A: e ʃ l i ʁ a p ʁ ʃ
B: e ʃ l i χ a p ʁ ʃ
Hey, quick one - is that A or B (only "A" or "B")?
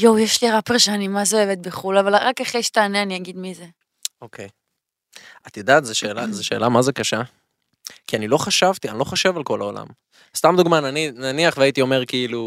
A